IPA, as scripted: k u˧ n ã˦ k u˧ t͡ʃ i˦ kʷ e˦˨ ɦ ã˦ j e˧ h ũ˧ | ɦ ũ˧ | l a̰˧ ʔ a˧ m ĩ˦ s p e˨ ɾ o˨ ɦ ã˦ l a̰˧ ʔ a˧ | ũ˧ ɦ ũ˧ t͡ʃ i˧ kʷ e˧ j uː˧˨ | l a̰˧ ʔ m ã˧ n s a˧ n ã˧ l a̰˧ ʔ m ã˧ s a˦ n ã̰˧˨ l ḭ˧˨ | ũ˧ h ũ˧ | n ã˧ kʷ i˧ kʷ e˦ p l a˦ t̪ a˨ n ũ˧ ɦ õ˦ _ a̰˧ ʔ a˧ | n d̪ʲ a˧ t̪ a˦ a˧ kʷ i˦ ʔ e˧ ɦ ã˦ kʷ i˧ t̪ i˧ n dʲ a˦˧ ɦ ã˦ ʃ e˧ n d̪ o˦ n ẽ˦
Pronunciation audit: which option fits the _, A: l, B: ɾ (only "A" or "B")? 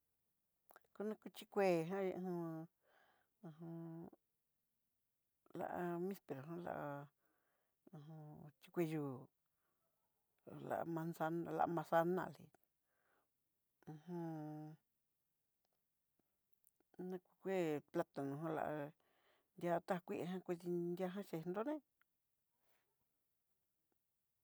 A